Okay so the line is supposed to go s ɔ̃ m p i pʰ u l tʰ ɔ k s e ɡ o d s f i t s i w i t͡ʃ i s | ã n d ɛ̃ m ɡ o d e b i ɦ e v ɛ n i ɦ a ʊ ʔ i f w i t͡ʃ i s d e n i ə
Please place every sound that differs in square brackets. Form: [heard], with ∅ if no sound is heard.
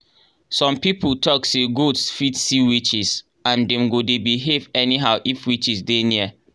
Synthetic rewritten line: s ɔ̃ m p i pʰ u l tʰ ɔ k s e ɡ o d s f i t s i w i t͡ʃ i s | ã n d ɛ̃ m ɡ o d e b i ɦ e v ɛ n i ɦ a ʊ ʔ i f w i t͡ʃ i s d e n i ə